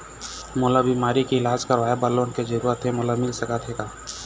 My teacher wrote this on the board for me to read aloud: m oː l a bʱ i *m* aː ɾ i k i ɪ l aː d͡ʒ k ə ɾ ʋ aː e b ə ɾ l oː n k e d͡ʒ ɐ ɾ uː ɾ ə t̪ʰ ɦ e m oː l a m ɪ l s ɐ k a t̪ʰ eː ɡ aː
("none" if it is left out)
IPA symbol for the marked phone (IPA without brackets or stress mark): m